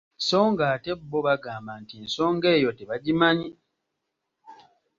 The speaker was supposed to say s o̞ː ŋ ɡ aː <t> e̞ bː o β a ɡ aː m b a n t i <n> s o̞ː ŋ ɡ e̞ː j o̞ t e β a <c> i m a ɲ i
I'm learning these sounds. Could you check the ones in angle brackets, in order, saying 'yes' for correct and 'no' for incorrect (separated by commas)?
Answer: yes, yes, no